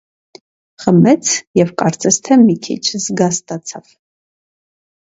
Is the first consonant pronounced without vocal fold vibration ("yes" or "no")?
yes